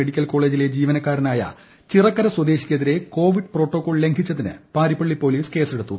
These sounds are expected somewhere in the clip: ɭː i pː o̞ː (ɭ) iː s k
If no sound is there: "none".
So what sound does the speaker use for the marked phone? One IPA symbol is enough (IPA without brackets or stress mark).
l